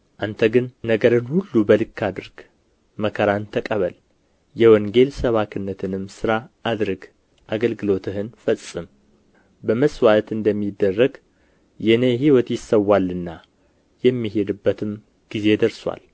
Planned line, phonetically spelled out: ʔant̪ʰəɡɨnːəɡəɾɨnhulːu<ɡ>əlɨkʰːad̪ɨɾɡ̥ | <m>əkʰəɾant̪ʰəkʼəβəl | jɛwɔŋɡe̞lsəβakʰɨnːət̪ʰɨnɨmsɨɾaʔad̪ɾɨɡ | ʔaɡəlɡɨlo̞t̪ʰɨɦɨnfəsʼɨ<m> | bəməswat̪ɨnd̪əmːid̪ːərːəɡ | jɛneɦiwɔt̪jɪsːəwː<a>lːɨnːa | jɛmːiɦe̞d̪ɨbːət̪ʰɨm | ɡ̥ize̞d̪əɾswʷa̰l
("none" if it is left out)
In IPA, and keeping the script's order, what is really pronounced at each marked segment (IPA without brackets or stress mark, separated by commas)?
b, m, m, a